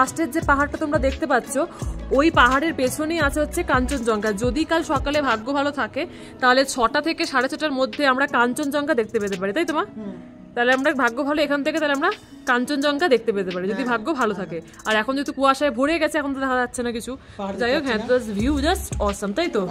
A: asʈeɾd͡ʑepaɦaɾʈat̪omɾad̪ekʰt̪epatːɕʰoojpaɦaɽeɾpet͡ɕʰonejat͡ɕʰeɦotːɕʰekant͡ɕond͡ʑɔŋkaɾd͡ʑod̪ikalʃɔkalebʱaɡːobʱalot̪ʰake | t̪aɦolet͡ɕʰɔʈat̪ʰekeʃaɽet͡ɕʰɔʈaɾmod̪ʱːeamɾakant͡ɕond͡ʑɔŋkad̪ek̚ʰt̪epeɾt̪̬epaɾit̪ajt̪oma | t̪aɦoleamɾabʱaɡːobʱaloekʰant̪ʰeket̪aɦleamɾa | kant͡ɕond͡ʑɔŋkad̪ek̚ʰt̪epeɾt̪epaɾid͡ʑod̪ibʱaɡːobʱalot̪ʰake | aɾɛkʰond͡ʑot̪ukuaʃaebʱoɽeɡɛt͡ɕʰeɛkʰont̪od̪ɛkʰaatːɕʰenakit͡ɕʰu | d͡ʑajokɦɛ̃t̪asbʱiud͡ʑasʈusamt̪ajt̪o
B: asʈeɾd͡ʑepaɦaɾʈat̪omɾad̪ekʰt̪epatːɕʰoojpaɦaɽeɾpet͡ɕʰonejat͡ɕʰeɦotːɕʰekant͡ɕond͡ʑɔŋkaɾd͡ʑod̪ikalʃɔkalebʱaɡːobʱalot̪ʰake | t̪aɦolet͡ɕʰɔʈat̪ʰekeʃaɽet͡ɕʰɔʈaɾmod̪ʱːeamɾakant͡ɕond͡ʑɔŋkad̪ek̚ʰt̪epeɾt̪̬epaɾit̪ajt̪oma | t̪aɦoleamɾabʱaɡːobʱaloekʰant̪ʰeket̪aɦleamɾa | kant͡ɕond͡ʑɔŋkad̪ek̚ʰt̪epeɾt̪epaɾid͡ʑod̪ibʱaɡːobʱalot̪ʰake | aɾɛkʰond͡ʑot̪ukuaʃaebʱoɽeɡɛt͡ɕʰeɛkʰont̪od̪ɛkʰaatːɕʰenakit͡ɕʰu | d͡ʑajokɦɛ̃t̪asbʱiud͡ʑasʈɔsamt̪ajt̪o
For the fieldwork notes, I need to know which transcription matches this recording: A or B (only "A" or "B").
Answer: B